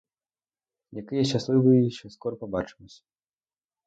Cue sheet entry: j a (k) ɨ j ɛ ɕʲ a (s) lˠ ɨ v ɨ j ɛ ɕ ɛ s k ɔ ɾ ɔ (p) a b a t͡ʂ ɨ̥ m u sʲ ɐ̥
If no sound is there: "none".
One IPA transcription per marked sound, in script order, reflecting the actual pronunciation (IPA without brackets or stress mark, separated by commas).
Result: k, s, p